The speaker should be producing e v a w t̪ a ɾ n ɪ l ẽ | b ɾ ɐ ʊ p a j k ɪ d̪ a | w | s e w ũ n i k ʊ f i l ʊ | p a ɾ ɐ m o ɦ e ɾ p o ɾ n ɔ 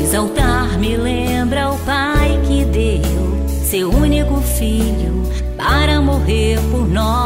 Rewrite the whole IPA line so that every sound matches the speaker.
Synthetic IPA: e z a w t̪ a ɾ m ɪ l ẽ | b ɾ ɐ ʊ p a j k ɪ d̪ e | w | s e w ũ n i k ʊ f i ʎ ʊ | p a ɾ ɐ m o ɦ e ɾ p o ɾ n ɔ